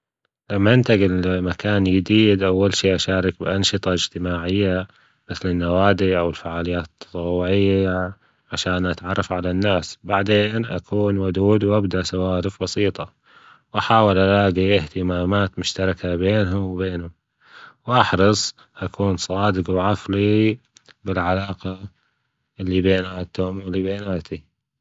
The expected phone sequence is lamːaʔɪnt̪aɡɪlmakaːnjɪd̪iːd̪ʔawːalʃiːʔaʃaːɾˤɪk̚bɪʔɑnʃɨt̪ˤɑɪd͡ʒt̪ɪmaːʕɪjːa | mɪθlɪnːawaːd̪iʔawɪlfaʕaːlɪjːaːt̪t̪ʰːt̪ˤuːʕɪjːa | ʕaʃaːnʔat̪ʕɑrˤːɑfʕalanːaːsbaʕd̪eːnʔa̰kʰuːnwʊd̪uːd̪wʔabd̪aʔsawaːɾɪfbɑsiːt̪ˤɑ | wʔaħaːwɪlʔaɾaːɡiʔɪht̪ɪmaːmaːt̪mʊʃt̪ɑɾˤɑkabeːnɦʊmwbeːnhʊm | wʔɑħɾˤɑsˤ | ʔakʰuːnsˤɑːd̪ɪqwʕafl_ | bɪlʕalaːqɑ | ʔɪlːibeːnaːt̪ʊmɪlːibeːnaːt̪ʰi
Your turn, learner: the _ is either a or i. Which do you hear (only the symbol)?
i